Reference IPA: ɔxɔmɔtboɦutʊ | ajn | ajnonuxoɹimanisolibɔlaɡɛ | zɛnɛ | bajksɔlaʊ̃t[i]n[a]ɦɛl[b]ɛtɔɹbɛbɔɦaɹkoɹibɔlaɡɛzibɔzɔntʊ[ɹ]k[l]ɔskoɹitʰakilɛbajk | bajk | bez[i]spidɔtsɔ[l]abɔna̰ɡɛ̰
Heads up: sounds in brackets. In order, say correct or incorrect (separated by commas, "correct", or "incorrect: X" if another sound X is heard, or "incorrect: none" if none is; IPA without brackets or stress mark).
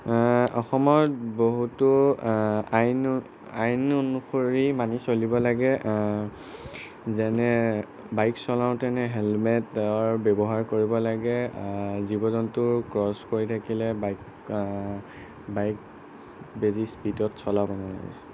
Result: incorrect: ɛ, incorrect: ɛ, incorrect: m, correct, incorrect: ɹ, correct, correct